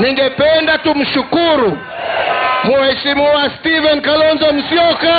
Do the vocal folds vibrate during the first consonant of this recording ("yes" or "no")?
yes